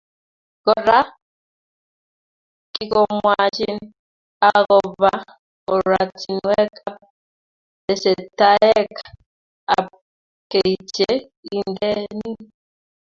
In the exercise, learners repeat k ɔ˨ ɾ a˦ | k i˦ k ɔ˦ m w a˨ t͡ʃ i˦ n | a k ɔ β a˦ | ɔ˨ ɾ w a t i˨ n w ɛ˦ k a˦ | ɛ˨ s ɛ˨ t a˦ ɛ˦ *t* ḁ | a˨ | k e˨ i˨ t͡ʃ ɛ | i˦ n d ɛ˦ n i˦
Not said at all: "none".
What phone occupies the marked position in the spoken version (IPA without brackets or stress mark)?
k